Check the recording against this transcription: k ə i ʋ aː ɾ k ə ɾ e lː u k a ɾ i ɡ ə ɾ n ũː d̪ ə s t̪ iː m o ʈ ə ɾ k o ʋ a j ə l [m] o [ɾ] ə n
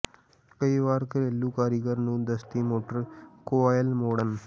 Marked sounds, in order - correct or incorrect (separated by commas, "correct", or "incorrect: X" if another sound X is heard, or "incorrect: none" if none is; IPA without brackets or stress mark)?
correct, incorrect: ɽ